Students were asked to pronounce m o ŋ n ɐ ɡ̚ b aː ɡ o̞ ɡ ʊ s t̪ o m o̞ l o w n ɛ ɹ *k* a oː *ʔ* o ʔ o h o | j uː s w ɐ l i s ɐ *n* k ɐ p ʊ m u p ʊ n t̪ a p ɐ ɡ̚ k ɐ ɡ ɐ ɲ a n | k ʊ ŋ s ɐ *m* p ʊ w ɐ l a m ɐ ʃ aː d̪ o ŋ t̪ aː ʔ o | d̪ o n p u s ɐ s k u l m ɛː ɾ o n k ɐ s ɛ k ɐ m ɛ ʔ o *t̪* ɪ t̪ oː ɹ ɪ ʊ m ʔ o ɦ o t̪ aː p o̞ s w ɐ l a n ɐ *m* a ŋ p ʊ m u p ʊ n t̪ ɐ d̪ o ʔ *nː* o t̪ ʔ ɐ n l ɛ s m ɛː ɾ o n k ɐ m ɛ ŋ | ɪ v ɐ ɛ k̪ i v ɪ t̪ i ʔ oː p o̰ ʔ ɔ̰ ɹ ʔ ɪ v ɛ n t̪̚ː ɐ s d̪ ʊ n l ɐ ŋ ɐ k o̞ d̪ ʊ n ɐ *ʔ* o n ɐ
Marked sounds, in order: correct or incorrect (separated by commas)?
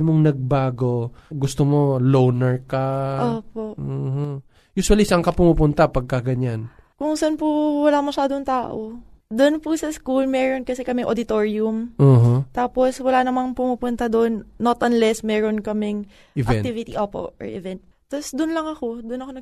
correct, incorrect, incorrect, incorrect, incorrect, correct, correct, incorrect